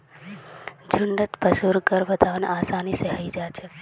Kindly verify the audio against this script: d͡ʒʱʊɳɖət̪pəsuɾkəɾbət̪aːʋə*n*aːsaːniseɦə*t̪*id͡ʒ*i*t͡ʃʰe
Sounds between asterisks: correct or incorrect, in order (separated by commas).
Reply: correct, incorrect, incorrect